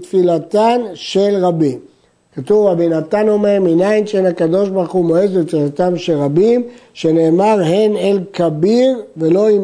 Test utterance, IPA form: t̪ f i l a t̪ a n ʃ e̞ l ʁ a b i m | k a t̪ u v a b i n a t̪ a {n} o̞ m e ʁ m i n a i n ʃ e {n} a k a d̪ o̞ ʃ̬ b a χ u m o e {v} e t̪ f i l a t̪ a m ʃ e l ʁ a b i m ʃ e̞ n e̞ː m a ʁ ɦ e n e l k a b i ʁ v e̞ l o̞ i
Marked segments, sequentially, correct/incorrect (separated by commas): correct, correct, incorrect